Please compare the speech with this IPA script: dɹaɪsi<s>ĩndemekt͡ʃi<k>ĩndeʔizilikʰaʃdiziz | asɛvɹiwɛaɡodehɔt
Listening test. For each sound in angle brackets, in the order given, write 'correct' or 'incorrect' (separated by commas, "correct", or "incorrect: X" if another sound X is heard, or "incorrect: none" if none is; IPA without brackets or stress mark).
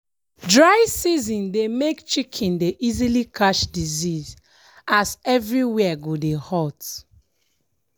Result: incorrect: z, incorrect: kʰ